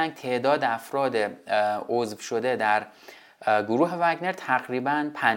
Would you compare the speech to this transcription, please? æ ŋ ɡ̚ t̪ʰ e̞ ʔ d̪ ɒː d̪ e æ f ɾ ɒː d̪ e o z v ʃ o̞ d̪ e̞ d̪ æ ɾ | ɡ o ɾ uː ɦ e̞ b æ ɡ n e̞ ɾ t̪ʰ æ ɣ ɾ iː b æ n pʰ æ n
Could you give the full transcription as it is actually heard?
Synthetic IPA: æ ŋ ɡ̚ t̪ʰ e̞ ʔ d̪ ɒː d̪ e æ f ɾ ɒː d̪ e o z v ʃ o̞ d̪ e̞ d̪ æ ɾ | ɡ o ɾ uː ɦ e̞ v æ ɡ n e̞ ɾ t̪ʰ æ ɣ ɾ iː b æ n pʰ æ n